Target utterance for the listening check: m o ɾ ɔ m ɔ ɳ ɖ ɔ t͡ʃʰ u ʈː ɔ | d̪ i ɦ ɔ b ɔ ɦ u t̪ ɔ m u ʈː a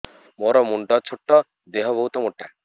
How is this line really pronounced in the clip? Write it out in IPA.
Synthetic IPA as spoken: m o ɾ ɔ m u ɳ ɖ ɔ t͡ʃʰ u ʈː ɔ | d̪ e ɦ ɔ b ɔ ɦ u t̪ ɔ m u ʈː a